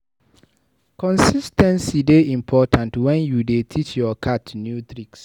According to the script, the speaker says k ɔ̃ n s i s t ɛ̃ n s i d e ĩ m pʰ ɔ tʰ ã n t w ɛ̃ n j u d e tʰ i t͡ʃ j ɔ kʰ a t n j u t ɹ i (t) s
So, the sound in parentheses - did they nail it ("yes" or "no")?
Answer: no